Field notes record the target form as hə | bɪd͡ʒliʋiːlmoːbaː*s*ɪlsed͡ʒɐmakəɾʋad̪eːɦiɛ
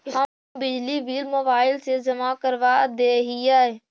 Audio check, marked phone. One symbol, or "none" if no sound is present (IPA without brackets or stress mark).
none